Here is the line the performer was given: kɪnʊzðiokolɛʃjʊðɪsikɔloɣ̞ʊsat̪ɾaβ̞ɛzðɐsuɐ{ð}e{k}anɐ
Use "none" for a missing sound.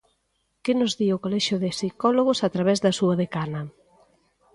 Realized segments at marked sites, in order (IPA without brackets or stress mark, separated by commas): ð, k